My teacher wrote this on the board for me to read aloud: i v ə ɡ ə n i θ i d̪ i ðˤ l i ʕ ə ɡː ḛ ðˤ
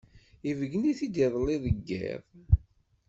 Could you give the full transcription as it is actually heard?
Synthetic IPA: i v ə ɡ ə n i θ i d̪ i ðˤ l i ð ə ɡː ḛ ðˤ